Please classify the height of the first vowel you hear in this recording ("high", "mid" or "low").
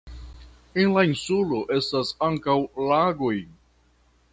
mid